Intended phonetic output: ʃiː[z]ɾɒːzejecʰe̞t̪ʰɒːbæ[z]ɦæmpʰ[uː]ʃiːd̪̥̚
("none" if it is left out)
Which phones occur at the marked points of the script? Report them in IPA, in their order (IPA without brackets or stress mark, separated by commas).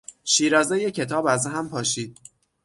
none, z, ɒː